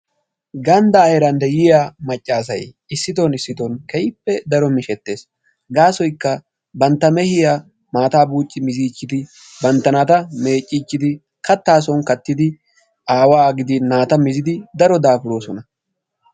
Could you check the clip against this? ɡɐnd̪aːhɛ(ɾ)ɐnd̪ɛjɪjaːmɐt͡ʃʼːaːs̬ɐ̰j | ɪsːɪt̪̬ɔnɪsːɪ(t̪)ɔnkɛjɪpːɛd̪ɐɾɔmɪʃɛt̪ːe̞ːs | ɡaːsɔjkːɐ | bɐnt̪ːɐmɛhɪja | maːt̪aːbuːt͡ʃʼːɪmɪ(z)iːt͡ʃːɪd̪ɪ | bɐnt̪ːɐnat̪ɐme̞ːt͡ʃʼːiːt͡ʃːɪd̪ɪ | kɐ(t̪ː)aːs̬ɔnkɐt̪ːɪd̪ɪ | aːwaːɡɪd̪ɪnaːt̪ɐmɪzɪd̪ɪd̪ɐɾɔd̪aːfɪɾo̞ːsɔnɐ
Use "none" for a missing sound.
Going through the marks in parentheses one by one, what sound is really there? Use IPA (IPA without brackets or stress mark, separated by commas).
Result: ɾ, t̪, z, t̪ː